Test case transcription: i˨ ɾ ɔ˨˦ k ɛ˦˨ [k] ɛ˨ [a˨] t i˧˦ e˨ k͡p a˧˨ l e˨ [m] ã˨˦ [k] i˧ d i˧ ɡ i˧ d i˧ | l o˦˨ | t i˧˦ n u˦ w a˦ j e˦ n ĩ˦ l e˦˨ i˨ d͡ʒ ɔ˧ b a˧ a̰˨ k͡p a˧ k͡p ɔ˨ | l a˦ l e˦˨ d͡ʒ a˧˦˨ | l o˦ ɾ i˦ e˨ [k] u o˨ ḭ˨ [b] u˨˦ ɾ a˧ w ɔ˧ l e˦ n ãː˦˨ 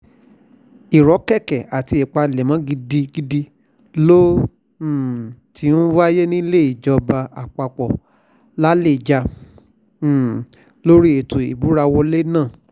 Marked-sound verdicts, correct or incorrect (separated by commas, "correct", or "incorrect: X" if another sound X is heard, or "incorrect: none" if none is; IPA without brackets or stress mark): correct, correct, correct, incorrect: ɡ, incorrect: t, correct